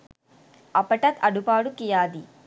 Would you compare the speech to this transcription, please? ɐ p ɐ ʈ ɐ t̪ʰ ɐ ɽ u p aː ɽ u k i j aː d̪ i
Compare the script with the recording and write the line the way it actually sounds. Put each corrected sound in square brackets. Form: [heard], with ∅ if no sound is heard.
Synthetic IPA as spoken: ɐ p ɐ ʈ ɐ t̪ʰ ɐ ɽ u p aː ɽ u k i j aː d̪ i